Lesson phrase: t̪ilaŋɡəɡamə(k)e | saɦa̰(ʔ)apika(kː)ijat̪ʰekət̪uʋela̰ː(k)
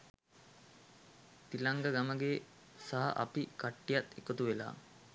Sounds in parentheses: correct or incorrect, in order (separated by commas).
incorrect, correct, incorrect, incorrect